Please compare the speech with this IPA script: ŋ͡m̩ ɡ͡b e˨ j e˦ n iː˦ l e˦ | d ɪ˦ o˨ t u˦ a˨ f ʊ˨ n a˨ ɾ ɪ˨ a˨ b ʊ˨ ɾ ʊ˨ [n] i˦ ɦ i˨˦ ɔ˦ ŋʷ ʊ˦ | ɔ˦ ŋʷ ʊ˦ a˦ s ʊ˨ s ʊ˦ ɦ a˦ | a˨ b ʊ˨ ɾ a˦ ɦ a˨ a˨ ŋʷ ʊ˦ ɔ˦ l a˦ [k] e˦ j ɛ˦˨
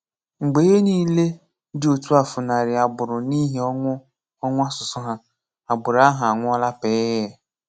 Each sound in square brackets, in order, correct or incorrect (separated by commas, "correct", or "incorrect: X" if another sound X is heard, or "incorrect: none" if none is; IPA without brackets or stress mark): correct, incorrect: p